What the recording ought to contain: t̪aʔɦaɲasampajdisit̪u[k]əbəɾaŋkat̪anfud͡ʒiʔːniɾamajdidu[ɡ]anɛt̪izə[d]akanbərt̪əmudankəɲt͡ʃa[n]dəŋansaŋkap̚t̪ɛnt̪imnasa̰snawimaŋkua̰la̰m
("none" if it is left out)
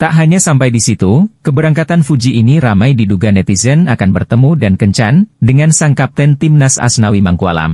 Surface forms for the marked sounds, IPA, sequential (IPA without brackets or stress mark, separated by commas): k, ɡ, n, n